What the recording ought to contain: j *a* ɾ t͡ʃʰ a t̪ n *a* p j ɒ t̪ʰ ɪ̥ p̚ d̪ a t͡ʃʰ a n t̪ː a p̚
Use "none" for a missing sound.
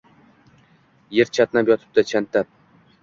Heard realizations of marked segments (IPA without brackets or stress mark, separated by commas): e, a